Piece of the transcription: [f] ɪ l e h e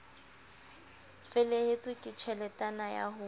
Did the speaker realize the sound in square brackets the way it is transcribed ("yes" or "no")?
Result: yes